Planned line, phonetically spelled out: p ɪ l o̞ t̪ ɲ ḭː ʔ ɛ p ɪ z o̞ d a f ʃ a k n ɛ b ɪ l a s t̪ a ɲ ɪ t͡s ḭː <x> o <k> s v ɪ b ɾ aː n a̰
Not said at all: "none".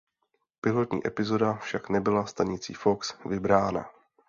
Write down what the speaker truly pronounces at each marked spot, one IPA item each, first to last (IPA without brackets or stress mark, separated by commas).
f, k